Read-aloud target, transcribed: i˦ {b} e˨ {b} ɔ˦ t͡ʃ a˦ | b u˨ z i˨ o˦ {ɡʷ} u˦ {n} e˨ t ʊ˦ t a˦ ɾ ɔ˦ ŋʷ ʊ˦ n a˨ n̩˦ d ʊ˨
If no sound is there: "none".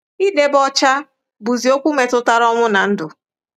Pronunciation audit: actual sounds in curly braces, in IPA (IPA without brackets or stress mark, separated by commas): d, b, kʷ, m